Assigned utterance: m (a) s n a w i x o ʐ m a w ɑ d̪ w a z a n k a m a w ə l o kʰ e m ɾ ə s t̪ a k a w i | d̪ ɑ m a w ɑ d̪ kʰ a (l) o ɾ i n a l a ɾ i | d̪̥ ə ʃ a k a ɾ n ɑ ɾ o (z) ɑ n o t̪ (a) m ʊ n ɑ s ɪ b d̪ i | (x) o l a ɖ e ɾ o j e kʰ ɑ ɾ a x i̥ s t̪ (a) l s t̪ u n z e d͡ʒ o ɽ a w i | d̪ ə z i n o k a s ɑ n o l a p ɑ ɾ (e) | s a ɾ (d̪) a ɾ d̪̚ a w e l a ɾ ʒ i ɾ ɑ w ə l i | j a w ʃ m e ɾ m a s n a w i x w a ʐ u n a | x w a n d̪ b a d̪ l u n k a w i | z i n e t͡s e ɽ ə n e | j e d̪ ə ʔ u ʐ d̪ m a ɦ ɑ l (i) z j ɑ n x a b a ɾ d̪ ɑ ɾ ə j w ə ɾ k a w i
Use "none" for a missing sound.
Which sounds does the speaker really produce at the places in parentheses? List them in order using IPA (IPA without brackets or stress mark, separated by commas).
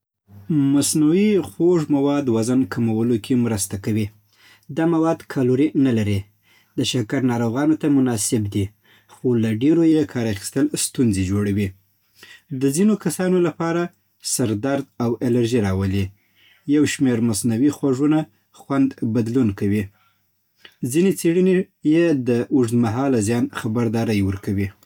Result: a, l, ɣ, a, x, ə, a, d̪, a